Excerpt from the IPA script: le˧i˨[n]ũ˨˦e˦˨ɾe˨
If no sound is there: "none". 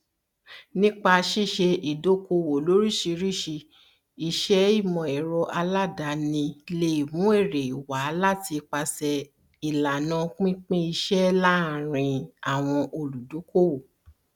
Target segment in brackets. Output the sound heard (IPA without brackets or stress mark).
m